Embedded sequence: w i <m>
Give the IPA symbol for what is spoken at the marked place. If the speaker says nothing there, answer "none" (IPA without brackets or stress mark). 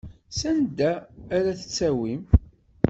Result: m